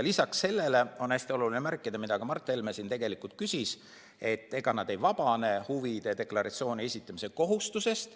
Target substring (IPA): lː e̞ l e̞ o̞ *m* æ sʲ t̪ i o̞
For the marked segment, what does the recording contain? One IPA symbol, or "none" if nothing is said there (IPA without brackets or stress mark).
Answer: n